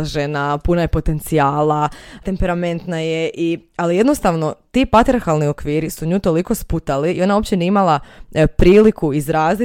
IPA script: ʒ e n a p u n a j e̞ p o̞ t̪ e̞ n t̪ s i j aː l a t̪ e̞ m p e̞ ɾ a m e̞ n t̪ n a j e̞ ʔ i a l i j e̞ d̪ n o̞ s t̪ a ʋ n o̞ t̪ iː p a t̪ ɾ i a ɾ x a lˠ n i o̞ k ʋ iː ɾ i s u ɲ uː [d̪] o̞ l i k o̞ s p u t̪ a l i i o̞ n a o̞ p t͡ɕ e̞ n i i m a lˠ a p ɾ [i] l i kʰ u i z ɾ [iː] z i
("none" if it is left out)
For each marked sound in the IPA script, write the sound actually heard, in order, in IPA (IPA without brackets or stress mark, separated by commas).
t̪, iː, aː